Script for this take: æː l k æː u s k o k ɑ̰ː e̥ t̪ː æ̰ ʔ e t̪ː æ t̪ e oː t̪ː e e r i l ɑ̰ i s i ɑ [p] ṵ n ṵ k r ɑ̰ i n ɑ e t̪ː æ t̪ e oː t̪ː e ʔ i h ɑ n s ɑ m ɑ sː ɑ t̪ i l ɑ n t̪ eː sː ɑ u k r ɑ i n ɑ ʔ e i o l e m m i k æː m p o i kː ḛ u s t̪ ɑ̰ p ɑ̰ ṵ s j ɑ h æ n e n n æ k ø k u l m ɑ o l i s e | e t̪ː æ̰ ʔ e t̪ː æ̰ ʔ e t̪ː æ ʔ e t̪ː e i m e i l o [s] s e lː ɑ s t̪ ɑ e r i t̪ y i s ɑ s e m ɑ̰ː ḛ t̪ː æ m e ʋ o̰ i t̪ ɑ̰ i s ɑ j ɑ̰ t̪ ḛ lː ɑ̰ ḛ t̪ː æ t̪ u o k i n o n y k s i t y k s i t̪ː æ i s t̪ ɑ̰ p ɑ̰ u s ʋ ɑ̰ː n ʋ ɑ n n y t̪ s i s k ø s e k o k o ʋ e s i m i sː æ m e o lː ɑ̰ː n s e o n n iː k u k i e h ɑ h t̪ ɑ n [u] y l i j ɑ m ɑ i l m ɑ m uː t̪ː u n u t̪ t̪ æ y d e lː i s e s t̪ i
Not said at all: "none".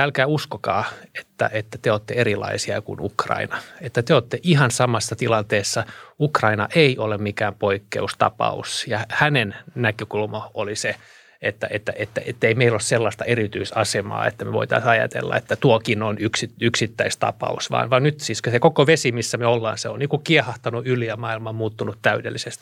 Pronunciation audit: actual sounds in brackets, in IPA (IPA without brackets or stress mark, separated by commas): k, s, u